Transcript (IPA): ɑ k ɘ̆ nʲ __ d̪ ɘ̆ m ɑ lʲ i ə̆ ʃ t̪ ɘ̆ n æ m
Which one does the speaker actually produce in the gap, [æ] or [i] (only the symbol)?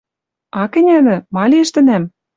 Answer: æ